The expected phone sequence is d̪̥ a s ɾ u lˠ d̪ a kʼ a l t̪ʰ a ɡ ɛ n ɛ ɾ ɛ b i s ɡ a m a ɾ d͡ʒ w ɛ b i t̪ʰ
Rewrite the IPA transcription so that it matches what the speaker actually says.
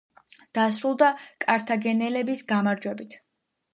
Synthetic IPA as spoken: d̪̥ a s ɾ u lˠ d̪ a kʼ a ɾ t̪ʰ a ɡ ɛ n ɛ l ɛ b i s ɡ a m a ɾ d͡ʒ w ɛ b i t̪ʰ